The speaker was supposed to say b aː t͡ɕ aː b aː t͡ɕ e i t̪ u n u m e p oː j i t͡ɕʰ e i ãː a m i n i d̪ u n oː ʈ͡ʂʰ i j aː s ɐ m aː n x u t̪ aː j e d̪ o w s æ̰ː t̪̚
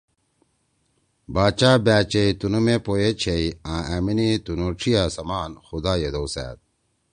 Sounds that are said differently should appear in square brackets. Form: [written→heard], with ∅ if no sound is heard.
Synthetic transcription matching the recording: b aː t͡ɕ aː b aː t͡ɕ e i t̪ u n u m e p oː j [i→e] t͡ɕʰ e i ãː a m i n i [d̪→t̪] u n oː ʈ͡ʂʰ i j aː s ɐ m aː n x u [t̪→d̪] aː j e d̪ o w s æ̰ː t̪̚